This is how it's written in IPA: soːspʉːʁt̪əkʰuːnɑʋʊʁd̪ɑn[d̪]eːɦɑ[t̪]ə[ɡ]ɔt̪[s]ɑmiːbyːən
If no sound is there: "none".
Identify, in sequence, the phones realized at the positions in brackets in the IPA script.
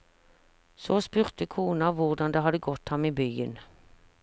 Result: d̪, d̪, ɡ, h

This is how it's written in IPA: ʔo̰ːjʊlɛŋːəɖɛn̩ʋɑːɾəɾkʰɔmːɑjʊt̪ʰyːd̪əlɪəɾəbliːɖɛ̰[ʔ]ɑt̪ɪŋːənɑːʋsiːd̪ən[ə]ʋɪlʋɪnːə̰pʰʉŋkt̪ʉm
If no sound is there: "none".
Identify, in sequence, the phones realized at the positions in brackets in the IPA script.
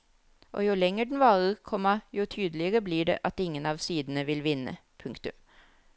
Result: ʔ, ə

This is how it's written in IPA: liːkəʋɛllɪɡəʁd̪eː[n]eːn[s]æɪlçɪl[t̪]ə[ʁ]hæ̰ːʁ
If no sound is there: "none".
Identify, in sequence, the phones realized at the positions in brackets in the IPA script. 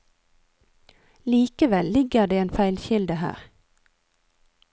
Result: none, f, d̪, none

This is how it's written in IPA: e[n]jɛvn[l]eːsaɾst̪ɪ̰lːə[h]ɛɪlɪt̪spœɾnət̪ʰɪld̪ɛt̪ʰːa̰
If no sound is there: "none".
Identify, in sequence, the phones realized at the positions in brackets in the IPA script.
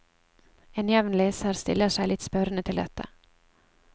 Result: n, l, ʂ

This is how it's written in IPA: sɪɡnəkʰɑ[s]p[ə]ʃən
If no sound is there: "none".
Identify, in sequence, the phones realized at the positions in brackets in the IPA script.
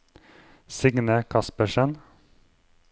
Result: s, ə

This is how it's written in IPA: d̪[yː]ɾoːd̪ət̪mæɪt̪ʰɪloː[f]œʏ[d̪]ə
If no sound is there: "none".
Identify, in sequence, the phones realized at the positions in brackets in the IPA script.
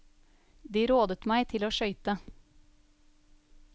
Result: iː, ʃ, t̪

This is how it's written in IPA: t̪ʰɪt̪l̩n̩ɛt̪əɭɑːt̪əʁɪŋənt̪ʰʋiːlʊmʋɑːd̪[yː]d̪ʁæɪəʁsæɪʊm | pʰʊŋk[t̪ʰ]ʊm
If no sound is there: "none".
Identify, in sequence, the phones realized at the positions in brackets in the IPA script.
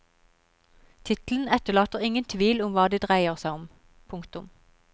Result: iː, t̪

